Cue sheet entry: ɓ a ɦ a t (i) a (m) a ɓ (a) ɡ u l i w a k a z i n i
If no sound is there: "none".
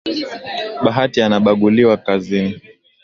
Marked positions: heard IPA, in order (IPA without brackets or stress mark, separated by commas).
i, n, a